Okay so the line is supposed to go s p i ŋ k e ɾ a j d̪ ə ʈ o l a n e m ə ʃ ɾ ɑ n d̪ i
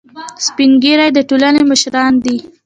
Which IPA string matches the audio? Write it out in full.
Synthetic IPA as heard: s p i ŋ ɡ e ɾ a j d̪ ə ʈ o l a n e m ə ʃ ɾ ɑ n d̪ i